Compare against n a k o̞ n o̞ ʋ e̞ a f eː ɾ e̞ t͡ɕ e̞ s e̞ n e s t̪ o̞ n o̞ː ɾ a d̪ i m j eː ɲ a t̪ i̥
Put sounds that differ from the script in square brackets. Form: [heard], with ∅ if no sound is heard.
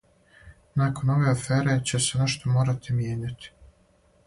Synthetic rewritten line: n a k o̞ n o̞ ʋ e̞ a f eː ɾ e̞ t͡ɕ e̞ s e̞ n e [ʃ] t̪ o̞ [m] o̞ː ɾ a [t̪] i m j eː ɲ a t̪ i̥